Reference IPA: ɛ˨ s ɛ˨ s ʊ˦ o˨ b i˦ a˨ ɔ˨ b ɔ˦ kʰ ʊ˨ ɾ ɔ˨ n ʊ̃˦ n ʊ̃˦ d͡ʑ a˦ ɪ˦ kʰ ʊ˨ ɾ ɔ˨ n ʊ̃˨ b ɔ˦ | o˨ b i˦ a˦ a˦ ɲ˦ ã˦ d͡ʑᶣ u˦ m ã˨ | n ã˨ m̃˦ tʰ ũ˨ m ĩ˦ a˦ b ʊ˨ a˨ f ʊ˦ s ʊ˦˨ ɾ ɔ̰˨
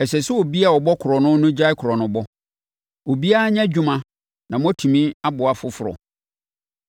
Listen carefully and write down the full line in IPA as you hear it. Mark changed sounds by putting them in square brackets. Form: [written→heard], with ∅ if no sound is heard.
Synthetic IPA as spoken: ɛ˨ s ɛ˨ s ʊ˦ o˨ b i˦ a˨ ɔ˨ b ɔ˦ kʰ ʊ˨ ɾ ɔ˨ n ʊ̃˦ n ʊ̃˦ d͡ʑ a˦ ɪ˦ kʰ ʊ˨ ɾ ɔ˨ n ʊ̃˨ b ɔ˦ | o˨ b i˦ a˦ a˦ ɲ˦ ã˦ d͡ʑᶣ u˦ m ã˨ | n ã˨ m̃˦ tʰ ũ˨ m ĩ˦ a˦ b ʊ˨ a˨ f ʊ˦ [s→f] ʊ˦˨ ɾ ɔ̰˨

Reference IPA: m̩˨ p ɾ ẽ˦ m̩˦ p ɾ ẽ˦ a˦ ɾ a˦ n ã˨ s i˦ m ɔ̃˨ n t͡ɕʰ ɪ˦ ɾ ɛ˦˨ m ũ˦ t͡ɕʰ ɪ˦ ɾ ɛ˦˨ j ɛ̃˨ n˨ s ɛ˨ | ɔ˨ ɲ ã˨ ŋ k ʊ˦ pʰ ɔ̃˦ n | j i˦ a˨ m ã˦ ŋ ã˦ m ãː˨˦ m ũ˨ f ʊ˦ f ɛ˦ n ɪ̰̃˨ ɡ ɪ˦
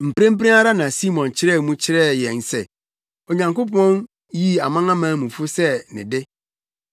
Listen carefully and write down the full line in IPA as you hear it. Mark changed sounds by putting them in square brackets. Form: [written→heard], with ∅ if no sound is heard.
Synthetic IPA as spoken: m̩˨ p ɾ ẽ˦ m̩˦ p ɾ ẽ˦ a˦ ɾ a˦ n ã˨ s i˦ m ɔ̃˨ n t͡ɕʰ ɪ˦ ɾ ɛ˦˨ m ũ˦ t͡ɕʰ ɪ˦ ɾ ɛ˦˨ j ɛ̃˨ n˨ s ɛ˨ | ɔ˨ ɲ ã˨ ŋ k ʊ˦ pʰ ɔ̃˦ n | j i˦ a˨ m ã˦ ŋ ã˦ m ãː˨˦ m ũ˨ f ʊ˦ [f→s] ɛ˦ n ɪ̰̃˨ [ɡ→d] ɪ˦

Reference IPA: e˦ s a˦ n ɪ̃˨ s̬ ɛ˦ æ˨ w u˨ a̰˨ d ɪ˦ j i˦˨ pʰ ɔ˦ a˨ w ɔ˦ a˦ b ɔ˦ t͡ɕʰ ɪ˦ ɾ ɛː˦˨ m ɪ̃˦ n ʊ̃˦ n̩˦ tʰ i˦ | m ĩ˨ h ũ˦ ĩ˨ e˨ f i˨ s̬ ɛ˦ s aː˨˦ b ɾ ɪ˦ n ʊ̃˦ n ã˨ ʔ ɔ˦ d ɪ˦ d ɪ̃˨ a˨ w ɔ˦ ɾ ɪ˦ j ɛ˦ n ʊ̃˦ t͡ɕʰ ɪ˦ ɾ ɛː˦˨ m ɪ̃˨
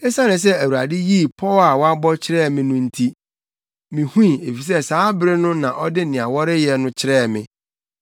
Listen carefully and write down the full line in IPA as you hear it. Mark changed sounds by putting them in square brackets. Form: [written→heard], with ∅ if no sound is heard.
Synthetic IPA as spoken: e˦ s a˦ n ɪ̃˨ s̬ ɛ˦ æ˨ w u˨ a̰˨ d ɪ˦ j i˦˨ pʰ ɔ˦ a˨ w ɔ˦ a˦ b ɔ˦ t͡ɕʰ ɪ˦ ɾ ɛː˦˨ m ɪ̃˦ n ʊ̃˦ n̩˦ tʰ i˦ | m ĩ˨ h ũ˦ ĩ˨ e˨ f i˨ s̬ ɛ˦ s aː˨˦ b ɾ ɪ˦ n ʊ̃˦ n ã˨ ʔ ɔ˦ d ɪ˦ [d→n] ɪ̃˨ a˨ w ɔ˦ ɾ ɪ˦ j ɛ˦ n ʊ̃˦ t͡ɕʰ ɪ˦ ɾ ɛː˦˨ m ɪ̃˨

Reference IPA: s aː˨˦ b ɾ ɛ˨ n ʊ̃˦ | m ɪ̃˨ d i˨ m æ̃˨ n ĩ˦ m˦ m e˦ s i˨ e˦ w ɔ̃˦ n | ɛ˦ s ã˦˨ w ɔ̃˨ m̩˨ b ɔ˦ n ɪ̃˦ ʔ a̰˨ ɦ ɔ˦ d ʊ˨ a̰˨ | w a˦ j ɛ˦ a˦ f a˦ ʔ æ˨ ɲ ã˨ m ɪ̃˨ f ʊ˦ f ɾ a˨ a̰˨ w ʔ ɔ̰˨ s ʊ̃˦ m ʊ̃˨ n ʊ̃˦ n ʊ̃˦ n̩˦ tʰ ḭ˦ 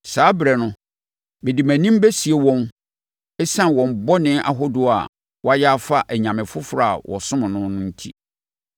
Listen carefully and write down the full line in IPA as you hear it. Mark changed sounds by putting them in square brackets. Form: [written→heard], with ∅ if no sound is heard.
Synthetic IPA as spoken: s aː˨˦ b ɾ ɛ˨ n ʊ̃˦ | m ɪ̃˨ d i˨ m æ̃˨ n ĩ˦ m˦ [m→b] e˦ s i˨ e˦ w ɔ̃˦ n | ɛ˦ s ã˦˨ w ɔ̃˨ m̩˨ b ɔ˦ n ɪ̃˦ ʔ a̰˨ ɦ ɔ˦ d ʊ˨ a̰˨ | w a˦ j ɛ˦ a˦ f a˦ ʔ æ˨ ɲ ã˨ m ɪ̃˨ f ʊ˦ f ɾ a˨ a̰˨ w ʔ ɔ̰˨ s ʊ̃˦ m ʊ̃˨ n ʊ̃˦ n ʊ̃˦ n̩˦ tʰ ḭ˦

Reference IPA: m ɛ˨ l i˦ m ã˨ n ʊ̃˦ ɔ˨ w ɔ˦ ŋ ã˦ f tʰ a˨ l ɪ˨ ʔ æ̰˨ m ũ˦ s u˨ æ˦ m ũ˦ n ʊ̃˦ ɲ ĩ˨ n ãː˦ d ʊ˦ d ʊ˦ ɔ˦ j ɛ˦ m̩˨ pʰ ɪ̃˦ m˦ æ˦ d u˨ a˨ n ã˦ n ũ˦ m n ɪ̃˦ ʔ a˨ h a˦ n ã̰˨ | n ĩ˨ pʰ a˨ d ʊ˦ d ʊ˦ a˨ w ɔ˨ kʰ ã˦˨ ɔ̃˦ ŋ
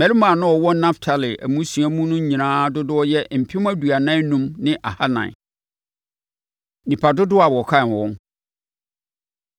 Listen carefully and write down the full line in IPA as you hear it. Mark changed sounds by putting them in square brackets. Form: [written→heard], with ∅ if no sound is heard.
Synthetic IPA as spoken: m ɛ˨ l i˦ m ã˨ n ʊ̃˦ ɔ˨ w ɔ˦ [ŋ→n] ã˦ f tʰ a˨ l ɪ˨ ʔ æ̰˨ m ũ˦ s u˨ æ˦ m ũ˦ n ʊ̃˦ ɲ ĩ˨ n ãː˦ d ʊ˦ d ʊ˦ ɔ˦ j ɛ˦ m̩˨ pʰ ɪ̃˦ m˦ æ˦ d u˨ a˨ n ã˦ n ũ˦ m n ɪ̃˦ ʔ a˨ h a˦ n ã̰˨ | n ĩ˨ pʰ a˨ d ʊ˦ d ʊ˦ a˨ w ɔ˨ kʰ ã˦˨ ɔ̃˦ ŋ

